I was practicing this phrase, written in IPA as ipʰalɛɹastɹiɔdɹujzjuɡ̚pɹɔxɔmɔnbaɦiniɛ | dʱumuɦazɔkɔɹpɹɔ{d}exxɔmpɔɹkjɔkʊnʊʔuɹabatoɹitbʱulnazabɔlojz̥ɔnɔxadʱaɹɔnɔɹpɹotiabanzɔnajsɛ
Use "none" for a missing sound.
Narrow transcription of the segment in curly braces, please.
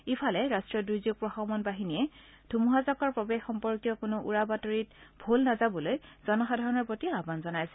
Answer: b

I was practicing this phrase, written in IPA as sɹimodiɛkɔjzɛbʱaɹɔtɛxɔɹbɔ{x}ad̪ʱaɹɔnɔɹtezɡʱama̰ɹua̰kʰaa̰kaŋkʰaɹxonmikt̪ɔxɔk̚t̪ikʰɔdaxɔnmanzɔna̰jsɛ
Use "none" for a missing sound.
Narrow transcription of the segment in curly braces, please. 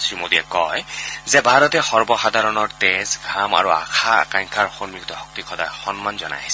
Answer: x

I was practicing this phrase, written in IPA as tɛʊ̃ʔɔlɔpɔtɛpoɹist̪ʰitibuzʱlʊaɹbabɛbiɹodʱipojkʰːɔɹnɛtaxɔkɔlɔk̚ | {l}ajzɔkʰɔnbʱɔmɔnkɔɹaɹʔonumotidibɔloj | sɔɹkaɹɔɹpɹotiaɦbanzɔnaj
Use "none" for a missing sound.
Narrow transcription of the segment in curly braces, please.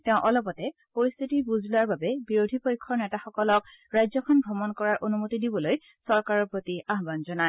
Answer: ɹ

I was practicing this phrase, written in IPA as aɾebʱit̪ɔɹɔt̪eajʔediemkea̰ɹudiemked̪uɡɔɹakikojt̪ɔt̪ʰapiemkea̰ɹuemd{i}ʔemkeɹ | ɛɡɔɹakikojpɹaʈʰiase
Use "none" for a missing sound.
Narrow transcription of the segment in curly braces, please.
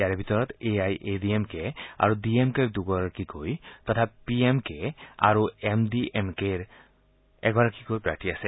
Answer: i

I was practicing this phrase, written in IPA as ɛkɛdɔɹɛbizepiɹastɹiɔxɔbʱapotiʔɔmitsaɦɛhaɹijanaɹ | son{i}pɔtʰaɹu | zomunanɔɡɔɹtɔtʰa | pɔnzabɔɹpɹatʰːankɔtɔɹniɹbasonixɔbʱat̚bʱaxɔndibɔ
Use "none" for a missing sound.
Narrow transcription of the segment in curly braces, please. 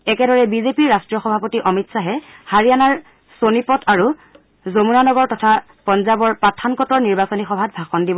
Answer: i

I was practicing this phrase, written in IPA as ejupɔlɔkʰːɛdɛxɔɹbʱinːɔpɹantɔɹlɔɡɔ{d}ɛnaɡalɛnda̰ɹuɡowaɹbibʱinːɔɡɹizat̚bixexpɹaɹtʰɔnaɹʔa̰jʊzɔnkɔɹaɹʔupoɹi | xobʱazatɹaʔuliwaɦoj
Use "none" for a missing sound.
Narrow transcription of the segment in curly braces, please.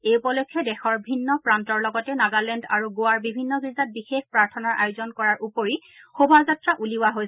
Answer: t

